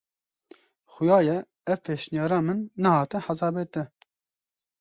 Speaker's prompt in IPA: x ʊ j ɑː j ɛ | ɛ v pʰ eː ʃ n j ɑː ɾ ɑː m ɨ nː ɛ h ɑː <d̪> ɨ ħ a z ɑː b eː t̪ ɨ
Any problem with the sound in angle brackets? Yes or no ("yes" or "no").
yes